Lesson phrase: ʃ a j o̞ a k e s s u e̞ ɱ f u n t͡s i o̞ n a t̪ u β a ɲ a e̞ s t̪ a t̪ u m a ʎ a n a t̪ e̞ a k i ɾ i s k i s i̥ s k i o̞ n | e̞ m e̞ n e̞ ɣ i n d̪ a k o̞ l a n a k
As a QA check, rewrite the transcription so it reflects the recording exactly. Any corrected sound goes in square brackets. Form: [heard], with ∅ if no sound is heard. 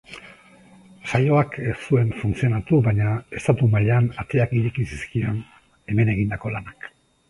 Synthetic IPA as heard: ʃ a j o̞ a k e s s u e̞ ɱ f u n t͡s i o̞ n a t̪ u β a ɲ a e̞ s t̪ a t̪ u m a ʎ a n a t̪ e̞ a k i ɾ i [∅] k i s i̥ s k i o̞ n | e̞ m e̞ n e̞ ɣ i n d̪ a k o̞ l a n a k